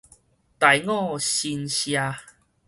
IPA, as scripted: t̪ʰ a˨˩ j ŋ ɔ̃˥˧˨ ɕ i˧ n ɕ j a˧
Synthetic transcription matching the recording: t̪ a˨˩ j ŋ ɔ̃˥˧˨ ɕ i˧ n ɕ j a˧